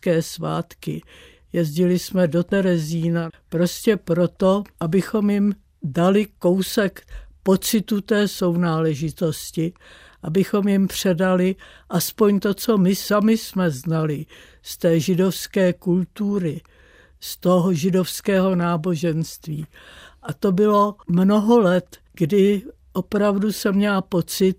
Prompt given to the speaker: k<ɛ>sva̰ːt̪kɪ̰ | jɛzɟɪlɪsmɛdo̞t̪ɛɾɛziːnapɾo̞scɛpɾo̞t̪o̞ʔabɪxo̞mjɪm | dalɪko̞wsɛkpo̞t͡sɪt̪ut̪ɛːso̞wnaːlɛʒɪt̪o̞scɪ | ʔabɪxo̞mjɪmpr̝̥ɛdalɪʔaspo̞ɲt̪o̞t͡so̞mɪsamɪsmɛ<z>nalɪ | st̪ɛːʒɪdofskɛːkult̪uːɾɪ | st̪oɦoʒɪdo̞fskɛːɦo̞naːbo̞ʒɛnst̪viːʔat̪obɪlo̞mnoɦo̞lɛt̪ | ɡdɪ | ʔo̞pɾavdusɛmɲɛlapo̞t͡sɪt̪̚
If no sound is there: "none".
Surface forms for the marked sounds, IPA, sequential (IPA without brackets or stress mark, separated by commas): ɛː, z